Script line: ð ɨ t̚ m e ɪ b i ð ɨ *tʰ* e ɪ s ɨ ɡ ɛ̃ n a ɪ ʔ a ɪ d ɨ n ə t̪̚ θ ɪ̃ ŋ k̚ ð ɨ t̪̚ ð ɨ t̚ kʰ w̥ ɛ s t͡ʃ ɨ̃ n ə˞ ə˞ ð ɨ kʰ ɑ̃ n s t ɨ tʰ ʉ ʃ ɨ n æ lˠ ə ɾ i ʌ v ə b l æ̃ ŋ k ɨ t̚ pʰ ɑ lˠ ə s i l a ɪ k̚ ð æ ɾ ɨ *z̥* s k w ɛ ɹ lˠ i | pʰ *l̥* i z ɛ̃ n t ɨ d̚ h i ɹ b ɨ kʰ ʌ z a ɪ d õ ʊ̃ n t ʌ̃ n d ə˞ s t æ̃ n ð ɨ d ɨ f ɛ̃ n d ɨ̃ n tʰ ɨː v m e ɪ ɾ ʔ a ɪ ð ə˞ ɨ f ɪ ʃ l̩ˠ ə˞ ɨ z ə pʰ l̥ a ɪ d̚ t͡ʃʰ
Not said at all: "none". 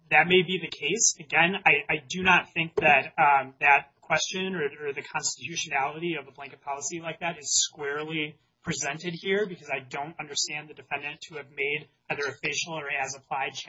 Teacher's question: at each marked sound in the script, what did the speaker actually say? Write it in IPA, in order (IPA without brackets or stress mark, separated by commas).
kʰ, z̥, ɹ̥